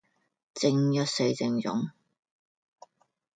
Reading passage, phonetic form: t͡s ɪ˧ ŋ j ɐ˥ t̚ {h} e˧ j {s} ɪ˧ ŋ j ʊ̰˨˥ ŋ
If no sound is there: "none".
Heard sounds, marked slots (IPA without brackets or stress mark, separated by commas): s, t͡s